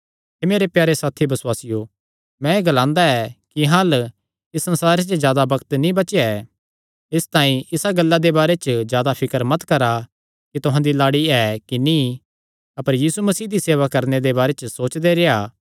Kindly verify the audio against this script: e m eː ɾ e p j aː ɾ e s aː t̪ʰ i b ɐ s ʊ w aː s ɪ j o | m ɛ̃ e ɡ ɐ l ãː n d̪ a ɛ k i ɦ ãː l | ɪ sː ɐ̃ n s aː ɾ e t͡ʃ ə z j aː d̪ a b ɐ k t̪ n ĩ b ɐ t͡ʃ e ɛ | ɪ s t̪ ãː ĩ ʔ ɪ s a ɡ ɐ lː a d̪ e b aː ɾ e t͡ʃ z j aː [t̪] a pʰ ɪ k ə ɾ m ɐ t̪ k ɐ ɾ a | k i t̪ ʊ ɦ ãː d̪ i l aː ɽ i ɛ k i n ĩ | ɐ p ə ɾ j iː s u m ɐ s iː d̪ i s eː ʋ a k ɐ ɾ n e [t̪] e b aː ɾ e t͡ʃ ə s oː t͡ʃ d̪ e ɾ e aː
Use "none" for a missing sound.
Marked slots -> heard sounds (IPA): d̪, d̪

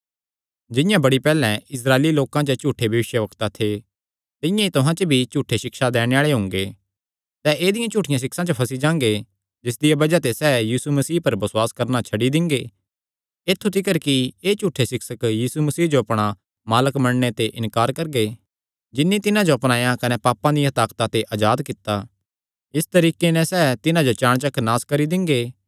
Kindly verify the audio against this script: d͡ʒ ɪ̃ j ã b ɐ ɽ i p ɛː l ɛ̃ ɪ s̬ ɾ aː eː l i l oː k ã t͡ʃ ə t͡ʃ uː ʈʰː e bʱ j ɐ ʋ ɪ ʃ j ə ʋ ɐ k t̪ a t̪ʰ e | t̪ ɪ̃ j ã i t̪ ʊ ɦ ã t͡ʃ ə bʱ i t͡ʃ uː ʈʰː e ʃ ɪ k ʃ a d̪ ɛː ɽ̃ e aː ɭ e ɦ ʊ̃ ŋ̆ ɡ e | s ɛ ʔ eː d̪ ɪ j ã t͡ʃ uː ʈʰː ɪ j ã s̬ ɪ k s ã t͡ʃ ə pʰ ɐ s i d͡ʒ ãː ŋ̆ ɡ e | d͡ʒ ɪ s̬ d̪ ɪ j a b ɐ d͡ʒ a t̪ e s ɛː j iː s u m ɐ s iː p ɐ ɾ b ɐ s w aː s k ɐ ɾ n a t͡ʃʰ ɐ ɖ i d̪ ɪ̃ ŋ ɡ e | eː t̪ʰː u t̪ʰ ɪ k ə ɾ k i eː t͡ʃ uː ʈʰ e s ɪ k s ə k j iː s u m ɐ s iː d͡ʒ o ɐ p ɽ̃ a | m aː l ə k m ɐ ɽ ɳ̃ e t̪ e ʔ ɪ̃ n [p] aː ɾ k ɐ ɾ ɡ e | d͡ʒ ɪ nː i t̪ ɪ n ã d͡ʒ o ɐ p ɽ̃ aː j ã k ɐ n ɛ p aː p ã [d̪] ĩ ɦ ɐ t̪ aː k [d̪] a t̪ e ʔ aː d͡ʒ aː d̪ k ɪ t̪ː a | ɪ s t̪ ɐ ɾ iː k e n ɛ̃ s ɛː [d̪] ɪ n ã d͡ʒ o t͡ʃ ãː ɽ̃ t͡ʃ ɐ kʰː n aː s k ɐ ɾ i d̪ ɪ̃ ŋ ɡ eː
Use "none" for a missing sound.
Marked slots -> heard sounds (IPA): k, d̪, t̪, t̪

